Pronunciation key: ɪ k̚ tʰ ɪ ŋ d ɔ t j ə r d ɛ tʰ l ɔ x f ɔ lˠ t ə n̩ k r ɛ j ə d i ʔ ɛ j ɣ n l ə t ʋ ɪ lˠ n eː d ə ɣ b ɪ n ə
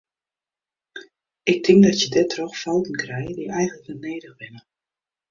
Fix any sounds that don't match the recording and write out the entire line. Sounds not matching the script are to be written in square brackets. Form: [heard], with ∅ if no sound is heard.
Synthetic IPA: ɪ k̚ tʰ ɪ ŋ d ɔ t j ə [∅] d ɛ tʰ [r] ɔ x f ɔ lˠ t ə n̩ k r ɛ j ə d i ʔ ɛ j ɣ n l ə [k] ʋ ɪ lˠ n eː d ə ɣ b ɪ n ə

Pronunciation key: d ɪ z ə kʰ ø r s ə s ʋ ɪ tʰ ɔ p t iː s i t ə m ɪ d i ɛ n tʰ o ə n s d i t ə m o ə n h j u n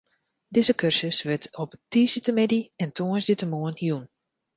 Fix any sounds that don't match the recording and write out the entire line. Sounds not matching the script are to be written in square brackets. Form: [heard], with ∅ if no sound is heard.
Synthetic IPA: d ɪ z ə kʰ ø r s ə s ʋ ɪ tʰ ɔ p t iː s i t ə m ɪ d i ɛ n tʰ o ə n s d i t ə m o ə n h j u n

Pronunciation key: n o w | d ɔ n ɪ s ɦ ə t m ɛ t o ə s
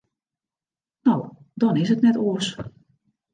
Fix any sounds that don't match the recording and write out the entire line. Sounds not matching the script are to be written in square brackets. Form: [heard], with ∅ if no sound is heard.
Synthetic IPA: n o w | d ɔ n ɪ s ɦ ə t [n] ɛ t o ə s

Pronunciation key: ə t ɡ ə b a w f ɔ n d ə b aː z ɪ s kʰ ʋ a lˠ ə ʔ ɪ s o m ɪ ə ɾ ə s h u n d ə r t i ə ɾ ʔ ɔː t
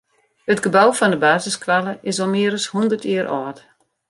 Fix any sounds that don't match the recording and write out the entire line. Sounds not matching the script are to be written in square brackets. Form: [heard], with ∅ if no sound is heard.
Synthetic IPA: ə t ɡ ə b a w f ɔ n d ə b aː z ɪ s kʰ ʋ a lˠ ə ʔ ɪ s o m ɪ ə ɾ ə s h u n d ə r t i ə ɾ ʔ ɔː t

